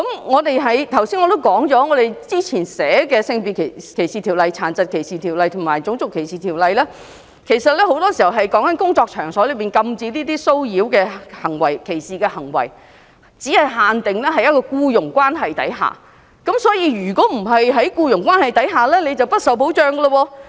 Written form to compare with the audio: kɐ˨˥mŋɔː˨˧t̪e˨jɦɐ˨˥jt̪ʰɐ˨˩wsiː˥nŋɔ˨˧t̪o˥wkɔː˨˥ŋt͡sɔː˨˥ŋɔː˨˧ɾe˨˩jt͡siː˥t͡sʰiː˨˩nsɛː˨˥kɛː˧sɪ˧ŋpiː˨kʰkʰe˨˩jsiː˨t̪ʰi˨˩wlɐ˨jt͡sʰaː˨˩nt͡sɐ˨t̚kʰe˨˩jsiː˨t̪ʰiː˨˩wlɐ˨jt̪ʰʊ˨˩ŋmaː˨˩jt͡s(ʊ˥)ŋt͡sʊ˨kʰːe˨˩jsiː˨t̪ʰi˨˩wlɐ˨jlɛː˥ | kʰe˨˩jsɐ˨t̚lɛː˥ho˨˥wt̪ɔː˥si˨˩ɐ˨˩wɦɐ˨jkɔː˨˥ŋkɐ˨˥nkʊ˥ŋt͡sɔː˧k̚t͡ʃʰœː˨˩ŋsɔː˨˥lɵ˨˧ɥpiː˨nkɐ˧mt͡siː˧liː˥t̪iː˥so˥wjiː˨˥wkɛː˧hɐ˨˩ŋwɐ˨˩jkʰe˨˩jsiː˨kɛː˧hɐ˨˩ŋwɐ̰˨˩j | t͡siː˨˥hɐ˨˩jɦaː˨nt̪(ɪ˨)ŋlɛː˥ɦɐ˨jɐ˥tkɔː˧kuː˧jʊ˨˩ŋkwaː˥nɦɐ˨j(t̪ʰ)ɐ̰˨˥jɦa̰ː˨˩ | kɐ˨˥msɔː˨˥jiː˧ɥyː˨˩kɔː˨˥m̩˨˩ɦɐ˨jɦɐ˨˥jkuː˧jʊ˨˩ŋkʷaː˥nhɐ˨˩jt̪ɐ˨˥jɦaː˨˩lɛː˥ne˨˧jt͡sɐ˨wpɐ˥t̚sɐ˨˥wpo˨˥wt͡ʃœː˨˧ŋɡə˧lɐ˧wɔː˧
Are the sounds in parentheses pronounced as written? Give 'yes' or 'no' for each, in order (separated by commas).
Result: no, yes, no